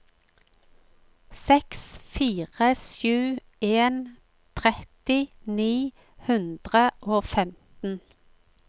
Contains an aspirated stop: yes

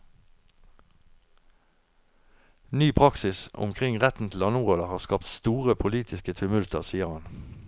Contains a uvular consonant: yes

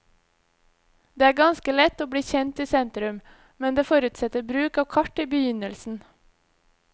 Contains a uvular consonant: no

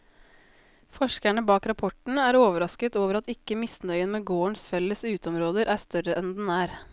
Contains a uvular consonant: no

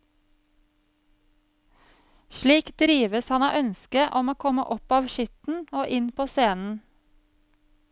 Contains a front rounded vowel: yes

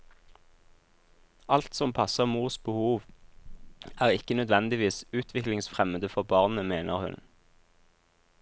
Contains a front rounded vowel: yes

